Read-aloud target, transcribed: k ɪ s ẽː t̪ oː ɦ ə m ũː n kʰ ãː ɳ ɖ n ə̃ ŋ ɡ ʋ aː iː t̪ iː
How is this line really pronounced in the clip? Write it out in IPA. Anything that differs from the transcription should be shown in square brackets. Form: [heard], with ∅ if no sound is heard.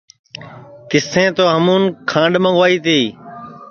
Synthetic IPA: k ɪ s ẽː t̪ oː ɦ ə m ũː n kʰ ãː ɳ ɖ [m] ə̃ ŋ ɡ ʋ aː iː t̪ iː

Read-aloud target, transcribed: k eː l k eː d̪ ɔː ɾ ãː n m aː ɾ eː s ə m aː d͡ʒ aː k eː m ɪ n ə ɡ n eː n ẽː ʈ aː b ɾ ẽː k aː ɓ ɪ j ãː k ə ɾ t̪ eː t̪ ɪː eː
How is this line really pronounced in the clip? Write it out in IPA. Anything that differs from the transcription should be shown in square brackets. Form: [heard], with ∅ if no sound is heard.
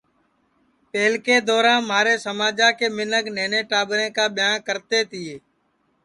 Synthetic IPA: [p] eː l k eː d̪ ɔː ɾ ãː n m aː ɾ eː s ə m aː d͡ʒ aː k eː m ɪ n ə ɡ n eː n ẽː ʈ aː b ɾ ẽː k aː ɓ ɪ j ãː k ə ɾ t̪ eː t̪ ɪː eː

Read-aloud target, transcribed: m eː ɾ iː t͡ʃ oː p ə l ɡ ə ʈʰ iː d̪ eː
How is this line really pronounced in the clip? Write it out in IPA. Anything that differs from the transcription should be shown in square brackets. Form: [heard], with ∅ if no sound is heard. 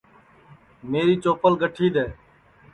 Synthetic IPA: m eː ɾ iː t͡ʃ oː p ə l ɡ ə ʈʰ iː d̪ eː

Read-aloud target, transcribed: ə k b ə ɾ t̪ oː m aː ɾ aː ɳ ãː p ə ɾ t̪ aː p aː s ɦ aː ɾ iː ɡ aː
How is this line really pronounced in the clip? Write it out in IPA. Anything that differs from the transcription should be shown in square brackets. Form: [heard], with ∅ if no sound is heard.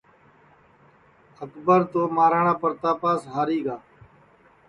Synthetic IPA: ə k b ə ɾ t̪ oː m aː ɾ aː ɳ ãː p ə ɾ t̪ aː p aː s ɦ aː ɾ iː ɡ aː

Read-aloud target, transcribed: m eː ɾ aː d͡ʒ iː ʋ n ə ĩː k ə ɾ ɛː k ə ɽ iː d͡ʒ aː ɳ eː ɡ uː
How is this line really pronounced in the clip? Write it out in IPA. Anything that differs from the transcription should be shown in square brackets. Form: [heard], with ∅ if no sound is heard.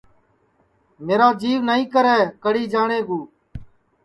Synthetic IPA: m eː ɾ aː d͡ʒ iː ʋ n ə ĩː k ə ɾ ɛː k ə ɽ iː d͡ʒ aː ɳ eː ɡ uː

